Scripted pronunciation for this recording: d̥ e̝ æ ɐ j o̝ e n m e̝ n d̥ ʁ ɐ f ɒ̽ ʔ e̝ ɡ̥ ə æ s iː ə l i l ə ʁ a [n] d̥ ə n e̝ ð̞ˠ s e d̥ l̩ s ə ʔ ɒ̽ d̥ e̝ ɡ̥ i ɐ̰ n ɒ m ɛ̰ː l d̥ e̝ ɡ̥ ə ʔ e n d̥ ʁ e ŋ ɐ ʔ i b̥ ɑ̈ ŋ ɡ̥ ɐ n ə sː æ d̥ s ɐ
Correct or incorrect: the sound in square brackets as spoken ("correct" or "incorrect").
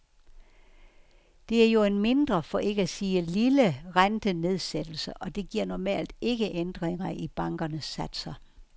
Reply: correct